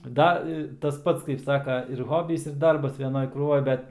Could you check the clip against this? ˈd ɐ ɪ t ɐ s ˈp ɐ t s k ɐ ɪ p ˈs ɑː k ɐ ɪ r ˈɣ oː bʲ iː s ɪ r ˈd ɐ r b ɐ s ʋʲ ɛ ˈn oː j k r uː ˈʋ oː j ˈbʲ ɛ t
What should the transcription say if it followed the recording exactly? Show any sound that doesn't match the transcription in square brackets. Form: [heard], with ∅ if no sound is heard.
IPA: ˈd ɐ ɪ t ɐ s ˈp ɐ t s k ɐ ɪ p ˈs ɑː k ɐ ɪ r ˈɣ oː bʲ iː s ɪ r ˈd ɐ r b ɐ s ʋʲ ɛ ˈn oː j k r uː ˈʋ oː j ˈbʲ ɛ t